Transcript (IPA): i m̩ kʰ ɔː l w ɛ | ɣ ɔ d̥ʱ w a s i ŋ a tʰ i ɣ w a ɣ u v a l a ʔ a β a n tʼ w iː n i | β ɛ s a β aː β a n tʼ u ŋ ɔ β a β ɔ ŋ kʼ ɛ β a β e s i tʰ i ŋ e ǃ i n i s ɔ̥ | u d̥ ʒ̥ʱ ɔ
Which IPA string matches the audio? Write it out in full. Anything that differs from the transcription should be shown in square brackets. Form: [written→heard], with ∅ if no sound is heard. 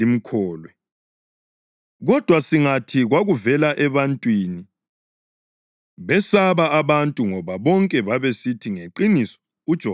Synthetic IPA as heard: i m̩ kʰ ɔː l w ɛ | ɣ ɔ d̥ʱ w a s i ŋ a tʰ i ɣ w a ɣ u v [a→ɛ] l a ʔ [a→ɛ] β a n tʼ w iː n i | β ɛ s a β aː β a n tʼ u ŋ ɔ β a β ɔ ŋ kʼ ɛ β a β e s i tʰ i ŋ e ǃ i n i s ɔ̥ | u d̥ ʒ̥ʱ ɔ